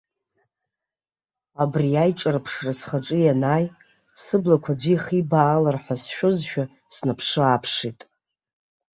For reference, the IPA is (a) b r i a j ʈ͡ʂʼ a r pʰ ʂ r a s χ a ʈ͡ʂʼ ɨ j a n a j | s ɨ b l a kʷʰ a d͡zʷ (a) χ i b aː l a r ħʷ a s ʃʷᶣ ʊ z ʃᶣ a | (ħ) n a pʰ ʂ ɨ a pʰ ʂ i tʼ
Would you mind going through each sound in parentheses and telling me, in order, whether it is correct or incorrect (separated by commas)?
correct, incorrect, incorrect